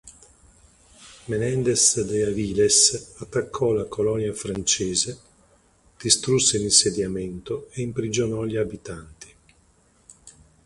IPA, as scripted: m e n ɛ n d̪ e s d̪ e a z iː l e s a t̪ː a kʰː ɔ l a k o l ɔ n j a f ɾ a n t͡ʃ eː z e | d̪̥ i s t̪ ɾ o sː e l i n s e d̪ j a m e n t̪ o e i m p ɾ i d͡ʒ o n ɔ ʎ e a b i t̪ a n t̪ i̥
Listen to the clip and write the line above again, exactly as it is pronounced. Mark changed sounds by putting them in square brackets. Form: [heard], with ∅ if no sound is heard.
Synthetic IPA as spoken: m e n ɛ n d̪ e s d̪ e a [v] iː l e s a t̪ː a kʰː ɔ l a k o l ɔ n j a f ɾ a n t͡ʃ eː z e | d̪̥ i s t̪ ɾ [u] sː e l i n s e d̪ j a m e n t̪ o e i m p ɾ i d͡ʒ o n ɔ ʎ [i] a b i t̪ a n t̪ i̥